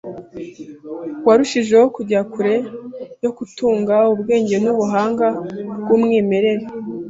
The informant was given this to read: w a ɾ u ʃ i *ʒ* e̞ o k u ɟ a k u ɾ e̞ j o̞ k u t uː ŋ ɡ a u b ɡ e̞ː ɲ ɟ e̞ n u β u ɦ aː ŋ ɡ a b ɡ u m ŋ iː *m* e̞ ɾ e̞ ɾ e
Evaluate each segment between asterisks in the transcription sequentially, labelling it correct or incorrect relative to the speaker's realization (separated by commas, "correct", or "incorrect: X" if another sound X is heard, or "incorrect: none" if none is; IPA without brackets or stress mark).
correct, correct